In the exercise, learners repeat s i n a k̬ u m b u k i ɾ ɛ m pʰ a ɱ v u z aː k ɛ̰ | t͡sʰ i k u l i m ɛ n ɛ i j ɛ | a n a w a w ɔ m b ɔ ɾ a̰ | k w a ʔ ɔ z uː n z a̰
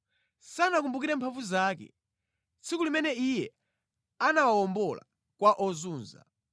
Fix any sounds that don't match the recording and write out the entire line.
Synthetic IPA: s a n a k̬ u m b u k i ɾ ɛ m pʰ a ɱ v u z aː k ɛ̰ | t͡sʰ i k u l i m ɛ n ɛ i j ɛ | a n a w a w ɔ m b ɔ l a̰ | k w a ʔ ɔ z uː n z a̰